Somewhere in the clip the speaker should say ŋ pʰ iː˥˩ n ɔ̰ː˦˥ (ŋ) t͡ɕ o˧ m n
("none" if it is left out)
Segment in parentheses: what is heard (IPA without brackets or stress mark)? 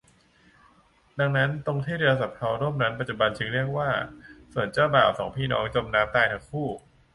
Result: ŋ